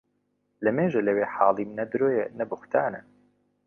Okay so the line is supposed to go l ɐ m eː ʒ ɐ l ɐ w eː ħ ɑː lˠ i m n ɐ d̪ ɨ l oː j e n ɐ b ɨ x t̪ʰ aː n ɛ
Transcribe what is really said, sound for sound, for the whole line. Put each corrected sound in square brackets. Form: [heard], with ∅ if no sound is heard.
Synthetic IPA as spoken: l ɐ m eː ʒ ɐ l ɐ w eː ħ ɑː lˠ i m n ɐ d̪ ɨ [ɾ] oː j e n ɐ b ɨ x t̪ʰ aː n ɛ

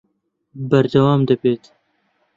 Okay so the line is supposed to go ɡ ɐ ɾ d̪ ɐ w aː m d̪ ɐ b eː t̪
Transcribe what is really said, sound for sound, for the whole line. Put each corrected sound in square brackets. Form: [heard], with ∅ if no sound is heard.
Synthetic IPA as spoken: [b] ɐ ɾ d̪ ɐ w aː m d̪ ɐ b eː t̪

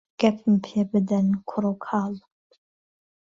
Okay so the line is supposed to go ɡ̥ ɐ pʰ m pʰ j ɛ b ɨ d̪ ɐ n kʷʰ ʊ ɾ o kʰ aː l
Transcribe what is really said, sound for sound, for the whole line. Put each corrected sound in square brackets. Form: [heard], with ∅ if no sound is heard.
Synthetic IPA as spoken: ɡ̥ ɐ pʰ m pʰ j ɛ b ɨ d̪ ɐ n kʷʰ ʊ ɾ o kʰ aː l

